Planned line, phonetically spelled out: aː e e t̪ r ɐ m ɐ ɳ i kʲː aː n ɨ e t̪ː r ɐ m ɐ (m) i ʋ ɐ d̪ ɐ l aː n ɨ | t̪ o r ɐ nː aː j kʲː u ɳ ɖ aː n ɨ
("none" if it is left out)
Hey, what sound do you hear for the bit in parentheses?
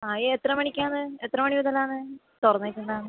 ɳ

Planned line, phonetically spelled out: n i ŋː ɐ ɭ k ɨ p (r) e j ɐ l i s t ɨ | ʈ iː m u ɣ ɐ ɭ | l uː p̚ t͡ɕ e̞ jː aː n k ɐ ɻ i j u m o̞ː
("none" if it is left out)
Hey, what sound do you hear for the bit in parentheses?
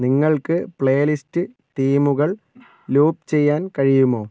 ɭ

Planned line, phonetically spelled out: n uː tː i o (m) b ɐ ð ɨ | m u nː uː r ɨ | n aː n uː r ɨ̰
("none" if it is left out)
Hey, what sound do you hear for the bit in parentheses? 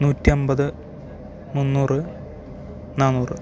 m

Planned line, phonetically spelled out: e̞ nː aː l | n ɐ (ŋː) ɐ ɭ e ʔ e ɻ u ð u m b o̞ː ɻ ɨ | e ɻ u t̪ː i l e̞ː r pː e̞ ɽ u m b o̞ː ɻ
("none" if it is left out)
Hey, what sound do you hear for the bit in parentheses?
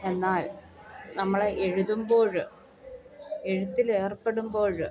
mː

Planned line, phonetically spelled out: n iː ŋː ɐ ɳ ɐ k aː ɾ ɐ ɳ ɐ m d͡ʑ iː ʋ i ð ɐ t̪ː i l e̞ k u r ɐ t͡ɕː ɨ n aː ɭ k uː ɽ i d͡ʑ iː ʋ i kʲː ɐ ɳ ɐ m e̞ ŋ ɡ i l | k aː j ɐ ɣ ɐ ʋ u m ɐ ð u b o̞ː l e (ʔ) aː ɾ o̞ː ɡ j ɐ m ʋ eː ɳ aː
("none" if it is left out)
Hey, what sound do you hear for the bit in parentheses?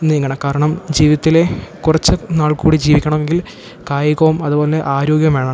ʔ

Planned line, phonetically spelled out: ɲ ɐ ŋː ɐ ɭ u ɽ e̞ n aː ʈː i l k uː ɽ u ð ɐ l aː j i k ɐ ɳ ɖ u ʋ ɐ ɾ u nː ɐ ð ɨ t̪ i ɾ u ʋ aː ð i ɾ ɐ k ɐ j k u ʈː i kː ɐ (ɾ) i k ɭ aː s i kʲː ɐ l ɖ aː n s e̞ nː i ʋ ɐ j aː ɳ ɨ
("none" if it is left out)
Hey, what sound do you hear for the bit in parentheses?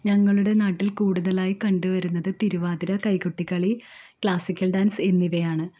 ɭ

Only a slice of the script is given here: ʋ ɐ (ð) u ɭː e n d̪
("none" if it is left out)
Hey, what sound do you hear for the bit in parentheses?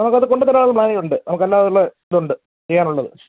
ð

